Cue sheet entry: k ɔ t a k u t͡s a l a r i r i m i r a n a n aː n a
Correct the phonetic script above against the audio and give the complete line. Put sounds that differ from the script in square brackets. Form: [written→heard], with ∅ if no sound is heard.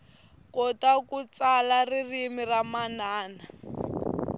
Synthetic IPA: k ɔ t a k u t͡s a l a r i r i m i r a [n→m] a n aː n a